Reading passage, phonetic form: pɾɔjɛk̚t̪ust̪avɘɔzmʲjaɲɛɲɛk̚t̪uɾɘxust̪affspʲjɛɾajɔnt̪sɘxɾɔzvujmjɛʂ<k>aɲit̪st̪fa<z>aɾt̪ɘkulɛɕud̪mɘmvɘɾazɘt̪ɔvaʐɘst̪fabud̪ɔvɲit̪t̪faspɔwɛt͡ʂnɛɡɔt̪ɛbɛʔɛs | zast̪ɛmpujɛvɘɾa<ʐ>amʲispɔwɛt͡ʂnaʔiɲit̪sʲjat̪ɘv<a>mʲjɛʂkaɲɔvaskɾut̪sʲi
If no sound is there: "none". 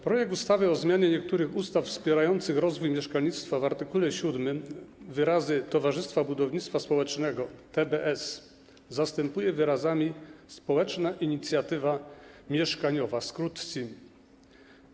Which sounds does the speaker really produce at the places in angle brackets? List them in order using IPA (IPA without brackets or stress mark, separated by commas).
k, v, z, a